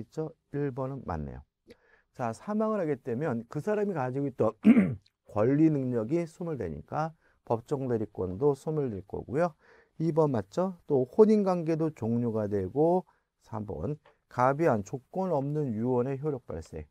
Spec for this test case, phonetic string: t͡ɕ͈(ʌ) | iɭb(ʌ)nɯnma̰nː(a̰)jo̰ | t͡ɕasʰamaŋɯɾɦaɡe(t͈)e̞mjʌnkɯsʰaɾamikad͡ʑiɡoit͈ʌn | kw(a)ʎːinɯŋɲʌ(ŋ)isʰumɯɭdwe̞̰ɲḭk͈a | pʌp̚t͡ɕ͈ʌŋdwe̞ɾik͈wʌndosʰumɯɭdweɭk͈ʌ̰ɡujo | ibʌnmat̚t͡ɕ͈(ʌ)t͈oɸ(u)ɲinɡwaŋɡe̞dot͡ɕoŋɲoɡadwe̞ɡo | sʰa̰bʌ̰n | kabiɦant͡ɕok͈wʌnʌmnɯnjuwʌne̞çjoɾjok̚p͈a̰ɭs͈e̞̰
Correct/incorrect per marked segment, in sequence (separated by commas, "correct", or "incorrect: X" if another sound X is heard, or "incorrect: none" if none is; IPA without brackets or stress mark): correct, correct, incorrect: ḛ, correct, incorrect: ʌ, incorrect: ɡ, correct, incorrect: o